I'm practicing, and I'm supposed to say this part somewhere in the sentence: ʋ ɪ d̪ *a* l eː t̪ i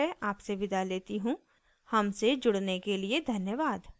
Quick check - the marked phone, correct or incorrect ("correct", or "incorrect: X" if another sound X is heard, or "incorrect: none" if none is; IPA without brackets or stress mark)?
correct